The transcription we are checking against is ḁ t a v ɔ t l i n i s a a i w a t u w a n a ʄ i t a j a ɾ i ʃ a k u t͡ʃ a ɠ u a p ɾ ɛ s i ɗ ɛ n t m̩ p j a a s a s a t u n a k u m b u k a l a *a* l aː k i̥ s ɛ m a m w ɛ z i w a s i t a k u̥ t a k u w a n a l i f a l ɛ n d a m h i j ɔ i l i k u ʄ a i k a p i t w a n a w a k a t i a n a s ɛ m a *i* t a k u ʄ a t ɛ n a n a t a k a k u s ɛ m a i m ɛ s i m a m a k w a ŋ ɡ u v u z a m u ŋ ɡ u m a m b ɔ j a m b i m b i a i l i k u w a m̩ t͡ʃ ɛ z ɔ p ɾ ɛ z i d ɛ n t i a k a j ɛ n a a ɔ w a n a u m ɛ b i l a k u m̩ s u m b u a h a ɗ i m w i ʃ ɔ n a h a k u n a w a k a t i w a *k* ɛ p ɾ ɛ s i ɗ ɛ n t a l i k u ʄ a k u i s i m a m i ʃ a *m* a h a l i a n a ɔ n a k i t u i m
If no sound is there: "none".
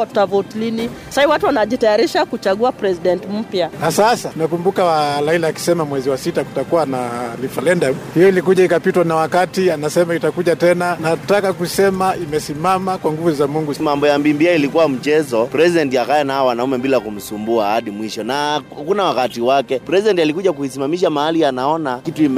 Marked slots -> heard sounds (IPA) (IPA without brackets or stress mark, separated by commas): i, i, k, m